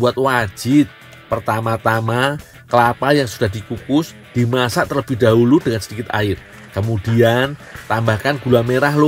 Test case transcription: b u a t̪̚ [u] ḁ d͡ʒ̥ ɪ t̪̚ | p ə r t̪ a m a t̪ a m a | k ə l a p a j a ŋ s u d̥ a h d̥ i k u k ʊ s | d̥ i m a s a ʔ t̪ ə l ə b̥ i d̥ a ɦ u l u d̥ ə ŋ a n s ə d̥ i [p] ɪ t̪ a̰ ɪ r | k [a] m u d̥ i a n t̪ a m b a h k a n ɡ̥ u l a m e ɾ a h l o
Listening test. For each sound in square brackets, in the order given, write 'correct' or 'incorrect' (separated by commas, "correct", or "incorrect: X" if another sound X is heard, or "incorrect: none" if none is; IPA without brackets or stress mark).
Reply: incorrect: w, incorrect: k, incorrect: ə